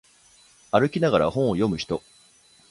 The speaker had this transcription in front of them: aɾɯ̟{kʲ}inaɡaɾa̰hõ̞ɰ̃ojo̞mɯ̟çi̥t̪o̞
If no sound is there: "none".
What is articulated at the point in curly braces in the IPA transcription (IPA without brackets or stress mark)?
kʲ